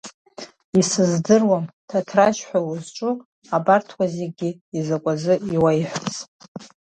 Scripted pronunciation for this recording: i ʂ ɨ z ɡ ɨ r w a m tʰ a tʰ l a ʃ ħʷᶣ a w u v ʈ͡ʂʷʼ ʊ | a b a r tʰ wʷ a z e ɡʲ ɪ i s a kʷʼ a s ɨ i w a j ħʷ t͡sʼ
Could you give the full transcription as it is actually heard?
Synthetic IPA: i s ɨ z d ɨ r w a m tʰ a tʰ r a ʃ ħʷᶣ a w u z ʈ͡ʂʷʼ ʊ | a b a r tʰ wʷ a z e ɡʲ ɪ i z a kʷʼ a z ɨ i w a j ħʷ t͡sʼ

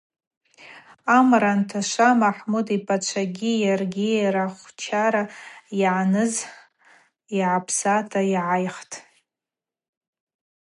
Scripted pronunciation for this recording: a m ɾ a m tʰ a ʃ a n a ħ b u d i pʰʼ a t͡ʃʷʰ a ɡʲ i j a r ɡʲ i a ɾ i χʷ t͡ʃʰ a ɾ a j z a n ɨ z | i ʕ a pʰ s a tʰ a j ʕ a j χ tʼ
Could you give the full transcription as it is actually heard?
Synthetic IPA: a m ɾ a n tʰ a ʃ a m a ħ m u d i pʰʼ a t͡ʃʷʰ a ɡʲ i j a r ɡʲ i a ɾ a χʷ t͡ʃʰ a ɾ a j ʕ a n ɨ z | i ʕ a pʰ s a tʰ a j ʕ a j χ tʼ

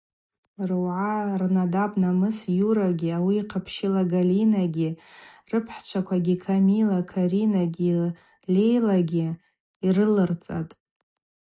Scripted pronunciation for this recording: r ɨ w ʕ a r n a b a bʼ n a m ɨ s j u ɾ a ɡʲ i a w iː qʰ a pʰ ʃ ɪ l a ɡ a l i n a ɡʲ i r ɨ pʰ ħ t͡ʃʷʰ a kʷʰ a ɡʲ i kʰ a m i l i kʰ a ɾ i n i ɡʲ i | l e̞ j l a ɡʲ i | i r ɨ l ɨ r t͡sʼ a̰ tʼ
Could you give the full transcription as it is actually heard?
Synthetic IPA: r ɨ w ʕ a r n a d a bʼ n a m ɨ s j u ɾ a ɡʲ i a w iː qʰ a pʰ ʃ ɪ l a ɡ a l i n a ɡʲ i r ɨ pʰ ħ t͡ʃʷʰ a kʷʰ a ɡʲ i kʰ a m i l a kʰ a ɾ i n a ɡʲ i | l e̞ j l a ɡʲ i | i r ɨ l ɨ r t͡sʼ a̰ tʼ

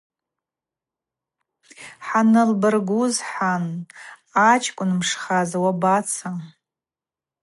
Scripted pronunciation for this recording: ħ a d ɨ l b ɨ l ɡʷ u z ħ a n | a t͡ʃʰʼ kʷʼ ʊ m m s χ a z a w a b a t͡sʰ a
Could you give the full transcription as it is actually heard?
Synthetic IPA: ħ a n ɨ l b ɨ r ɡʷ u z ħ a n | a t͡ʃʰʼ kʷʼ ʊ n m ʂ χ a z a w a b a t͡sʰ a

